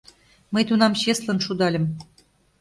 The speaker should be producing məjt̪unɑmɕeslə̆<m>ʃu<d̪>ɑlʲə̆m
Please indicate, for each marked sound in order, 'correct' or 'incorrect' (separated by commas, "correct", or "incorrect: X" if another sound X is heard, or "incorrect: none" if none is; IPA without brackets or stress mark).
incorrect: n, correct